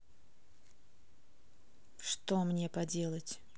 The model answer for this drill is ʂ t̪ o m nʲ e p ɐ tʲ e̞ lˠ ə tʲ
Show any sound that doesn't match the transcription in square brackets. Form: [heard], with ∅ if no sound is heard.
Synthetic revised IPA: ʂ t̪ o m nʲ e p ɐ [dʲ] e̞ lˠ ə tʲ